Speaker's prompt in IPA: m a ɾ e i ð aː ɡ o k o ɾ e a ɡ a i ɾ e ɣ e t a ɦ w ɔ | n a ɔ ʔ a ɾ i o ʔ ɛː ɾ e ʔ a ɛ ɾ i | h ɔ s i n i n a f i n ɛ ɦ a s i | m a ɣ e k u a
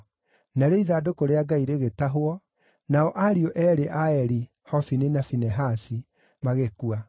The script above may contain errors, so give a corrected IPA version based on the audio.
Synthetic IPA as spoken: n a ɾ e i ð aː d o k o ɾ e a ɡ a i ɾ e ɣ e t a ɦ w ɔ | n a ɔ ʔ a ɾ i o ʔ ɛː ɾ e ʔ a ɛ ɾ i | h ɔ f i n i n a f i n ɛ ɦ a s i | m a ɣ e k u a